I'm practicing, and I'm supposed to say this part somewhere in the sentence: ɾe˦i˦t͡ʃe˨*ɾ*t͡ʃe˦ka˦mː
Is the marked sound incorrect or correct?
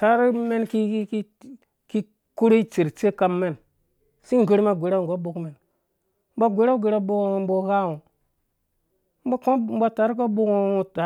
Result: correct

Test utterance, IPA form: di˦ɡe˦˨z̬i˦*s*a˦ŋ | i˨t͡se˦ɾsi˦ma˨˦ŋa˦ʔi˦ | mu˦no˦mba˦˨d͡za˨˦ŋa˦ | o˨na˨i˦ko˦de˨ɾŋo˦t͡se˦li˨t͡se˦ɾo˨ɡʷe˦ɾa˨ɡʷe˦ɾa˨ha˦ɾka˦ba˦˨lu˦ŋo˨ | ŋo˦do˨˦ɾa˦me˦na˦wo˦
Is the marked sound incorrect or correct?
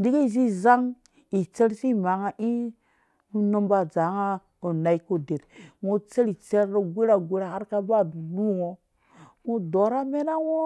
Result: incorrect: z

